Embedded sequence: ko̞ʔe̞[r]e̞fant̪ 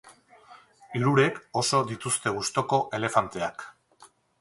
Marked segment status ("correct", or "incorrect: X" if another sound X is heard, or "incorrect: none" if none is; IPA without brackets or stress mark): incorrect: l